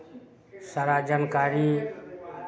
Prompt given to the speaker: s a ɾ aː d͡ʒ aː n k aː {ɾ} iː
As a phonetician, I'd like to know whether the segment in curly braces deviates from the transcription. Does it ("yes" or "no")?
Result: no